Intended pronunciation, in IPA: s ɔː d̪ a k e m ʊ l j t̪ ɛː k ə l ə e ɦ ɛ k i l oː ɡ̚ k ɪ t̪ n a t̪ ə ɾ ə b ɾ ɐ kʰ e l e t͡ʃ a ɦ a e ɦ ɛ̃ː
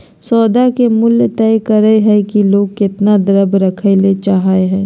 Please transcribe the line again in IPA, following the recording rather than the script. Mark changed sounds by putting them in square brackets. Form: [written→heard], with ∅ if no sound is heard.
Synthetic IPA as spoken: s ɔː d̪ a k e m ʊ l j t̪ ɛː k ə [l→ɾ] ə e ɦ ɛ k i l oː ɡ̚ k ɪ t̪ n a [t̪→d̪] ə ɾ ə b ɾ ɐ kʰ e l e t͡ʃ a ɦ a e ɦ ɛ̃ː